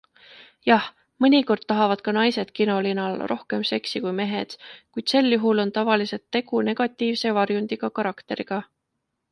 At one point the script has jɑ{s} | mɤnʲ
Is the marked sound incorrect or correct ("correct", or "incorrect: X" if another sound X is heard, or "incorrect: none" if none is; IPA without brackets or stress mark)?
incorrect: h